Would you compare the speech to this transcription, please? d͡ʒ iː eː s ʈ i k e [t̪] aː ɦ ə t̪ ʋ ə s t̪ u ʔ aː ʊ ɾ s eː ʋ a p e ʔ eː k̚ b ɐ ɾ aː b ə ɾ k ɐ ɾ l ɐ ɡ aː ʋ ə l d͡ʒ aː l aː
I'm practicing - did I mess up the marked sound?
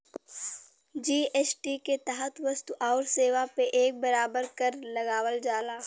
no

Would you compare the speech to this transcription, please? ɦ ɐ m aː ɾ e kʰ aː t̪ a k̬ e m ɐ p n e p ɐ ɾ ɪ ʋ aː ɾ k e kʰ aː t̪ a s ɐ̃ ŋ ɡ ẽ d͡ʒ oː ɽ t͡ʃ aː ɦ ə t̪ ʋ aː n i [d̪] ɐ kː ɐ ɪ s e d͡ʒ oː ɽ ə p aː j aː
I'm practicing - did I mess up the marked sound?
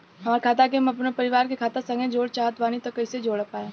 yes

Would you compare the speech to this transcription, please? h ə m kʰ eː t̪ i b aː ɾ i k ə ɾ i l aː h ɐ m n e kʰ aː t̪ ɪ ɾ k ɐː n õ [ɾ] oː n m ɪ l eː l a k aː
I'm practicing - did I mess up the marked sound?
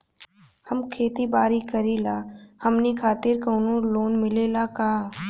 yes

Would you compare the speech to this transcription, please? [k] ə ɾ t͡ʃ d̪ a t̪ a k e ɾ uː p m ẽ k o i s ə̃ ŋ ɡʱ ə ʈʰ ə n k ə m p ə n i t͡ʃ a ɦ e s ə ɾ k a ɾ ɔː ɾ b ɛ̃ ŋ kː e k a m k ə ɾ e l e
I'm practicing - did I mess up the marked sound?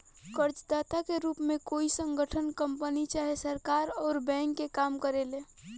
no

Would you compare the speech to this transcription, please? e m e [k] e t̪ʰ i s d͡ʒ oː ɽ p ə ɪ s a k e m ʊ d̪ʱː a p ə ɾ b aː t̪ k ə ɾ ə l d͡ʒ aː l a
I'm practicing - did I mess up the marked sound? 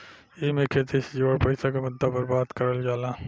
yes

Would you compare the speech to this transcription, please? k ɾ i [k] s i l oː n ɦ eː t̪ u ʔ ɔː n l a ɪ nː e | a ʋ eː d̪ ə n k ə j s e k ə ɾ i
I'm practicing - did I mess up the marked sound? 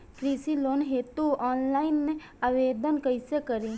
yes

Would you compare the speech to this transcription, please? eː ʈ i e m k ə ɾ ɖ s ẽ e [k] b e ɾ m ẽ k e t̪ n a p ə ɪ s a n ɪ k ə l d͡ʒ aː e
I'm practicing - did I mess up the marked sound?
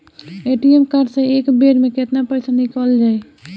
no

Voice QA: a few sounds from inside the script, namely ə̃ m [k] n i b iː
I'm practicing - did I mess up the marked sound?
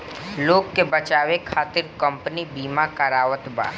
yes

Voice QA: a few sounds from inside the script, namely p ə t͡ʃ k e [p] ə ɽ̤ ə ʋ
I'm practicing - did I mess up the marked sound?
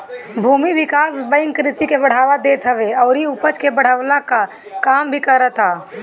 yes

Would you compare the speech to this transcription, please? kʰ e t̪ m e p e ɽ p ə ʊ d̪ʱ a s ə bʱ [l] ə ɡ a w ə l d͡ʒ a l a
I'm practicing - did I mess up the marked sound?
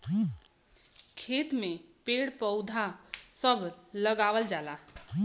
no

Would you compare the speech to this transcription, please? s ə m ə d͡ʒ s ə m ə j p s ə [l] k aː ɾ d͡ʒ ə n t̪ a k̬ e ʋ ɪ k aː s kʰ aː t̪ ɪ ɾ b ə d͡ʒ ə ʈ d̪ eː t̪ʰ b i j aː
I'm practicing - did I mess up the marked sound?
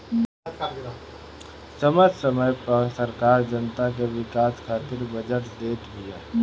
yes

